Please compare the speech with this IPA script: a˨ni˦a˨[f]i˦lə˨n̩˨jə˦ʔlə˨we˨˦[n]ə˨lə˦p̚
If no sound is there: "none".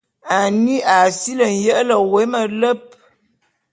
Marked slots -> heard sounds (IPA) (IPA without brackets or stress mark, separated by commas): s, m